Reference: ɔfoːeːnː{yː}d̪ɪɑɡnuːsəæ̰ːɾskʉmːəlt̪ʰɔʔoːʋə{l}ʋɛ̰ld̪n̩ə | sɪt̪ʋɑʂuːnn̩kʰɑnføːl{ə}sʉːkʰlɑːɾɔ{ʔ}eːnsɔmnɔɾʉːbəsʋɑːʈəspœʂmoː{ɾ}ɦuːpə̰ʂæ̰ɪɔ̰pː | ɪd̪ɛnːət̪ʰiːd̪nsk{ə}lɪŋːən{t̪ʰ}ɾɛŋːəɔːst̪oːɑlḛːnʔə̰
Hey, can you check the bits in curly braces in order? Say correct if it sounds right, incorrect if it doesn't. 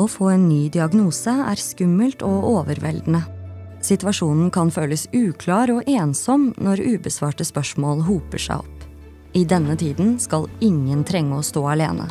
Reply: correct, incorrect, correct, correct, incorrect, incorrect, correct

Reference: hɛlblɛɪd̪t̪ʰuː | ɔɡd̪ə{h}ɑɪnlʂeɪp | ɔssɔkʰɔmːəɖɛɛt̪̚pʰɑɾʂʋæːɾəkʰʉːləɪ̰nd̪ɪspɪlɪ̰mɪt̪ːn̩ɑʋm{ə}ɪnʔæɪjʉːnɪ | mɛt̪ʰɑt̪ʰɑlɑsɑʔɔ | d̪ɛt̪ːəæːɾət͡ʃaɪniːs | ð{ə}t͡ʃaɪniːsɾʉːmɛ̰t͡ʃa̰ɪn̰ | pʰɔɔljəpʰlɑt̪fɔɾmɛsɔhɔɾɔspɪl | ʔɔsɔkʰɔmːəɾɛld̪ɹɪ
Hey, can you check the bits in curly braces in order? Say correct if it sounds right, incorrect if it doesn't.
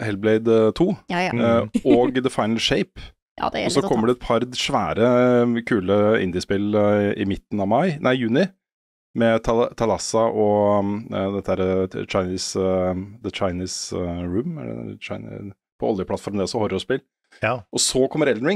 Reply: incorrect, incorrect, correct

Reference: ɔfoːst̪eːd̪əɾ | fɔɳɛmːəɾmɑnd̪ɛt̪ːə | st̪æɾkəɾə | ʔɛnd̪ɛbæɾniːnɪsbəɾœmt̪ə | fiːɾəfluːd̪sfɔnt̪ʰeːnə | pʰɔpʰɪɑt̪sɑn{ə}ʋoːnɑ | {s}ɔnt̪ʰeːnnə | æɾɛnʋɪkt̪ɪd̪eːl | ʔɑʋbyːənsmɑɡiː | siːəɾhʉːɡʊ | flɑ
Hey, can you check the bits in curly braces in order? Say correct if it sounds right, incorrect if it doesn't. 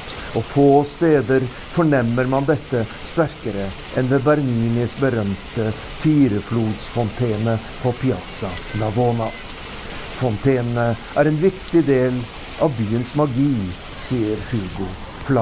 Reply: incorrect, incorrect

